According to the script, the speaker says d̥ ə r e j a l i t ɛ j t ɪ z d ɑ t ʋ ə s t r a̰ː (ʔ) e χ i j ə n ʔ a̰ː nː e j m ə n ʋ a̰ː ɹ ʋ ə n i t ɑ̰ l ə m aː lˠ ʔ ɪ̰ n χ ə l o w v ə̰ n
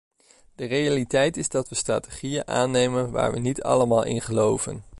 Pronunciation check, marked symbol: incorrect: t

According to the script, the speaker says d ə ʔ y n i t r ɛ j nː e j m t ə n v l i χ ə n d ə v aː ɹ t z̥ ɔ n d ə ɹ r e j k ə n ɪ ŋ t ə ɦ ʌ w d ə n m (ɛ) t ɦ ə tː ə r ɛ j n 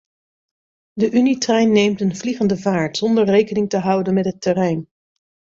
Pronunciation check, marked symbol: correct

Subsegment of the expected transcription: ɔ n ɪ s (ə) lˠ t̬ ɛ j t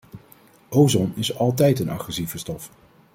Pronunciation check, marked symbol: incorrect: ɑ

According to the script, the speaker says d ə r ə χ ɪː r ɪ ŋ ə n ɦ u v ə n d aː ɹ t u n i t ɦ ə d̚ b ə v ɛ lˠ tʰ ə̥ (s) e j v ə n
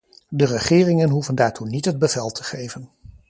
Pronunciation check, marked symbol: incorrect: χ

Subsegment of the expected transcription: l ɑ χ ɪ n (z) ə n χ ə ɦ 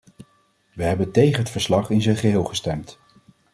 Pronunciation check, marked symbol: correct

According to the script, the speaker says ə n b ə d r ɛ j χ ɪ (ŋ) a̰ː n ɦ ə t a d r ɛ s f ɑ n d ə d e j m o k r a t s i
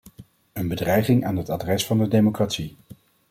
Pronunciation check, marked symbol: correct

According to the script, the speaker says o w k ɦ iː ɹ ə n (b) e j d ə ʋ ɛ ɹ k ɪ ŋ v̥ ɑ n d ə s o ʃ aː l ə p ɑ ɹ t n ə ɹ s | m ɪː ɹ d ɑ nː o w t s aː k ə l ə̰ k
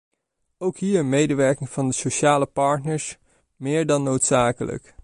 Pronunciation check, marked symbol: incorrect: m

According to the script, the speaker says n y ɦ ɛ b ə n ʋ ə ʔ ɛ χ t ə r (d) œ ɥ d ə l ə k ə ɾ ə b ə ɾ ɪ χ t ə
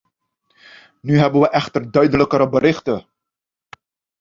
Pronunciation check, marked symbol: correct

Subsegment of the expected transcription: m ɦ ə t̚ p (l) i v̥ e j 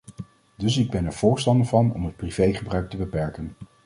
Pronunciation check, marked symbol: incorrect: r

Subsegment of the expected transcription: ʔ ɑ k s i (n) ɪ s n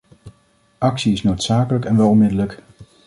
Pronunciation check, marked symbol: incorrect: none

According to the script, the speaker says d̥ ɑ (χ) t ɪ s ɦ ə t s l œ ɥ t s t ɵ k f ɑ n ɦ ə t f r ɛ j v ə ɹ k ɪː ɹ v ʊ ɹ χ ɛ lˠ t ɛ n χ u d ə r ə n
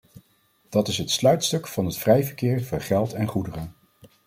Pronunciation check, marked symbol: incorrect: none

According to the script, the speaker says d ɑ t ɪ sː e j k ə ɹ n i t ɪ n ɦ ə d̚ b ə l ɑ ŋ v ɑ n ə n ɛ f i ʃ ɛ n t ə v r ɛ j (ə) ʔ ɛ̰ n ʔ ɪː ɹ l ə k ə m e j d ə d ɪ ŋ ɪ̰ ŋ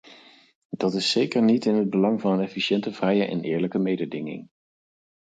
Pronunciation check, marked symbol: correct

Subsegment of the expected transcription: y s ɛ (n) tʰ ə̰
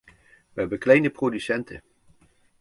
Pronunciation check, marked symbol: correct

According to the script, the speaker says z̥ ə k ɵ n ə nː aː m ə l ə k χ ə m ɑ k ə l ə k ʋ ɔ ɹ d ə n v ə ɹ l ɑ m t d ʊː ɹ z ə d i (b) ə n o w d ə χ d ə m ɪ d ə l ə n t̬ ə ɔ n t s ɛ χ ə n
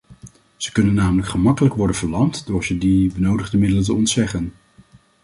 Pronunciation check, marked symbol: correct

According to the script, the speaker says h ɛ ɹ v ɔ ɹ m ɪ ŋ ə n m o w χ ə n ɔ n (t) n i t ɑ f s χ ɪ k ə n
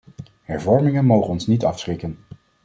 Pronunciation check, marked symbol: incorrect: s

